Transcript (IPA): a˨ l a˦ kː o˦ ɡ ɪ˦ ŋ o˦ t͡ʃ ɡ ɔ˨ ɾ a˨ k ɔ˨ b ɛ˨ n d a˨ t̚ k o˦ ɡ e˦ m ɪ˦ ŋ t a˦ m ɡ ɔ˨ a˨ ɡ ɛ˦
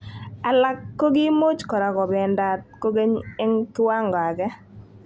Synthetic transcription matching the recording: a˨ l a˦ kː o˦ ɡ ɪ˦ m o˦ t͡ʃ k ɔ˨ ɾ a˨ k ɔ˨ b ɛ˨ n d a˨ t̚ k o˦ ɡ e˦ ɲ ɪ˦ ŋ t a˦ ŋ ɡ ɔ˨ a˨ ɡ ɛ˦